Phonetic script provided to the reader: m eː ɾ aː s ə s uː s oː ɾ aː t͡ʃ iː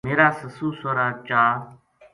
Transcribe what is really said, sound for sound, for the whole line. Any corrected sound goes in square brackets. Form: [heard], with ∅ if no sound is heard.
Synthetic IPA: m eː ɾ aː s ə s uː s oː ɾ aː t͡ʃ [aː]